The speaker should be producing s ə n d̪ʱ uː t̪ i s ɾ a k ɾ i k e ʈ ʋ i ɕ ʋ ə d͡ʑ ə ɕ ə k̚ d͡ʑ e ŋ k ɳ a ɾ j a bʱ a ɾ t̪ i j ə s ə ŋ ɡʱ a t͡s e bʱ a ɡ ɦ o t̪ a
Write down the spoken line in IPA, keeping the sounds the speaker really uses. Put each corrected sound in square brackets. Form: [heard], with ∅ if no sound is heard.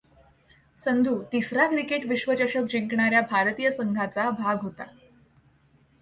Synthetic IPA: s ə n d̪ʱ uː t̪ i s ɾ a k ɾ i k e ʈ ʋ i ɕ ʋ ə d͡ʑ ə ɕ ə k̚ d͡ʑ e ŋ k ɳ a ɾ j a bʱ a ɾ t̪ i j ə s ə ŋ ɡʱ a t͡s [a] bʱ a ɡ ɦ o t̪ a